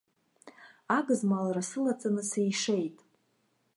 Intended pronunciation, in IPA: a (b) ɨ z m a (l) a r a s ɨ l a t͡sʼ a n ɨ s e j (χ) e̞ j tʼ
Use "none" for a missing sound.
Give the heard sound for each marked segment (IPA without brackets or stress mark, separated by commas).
ɡ, l, ʂ